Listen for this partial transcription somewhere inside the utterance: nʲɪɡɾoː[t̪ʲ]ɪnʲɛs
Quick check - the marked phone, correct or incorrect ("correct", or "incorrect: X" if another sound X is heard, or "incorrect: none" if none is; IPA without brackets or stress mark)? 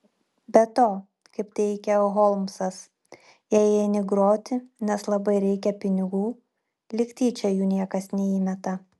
correct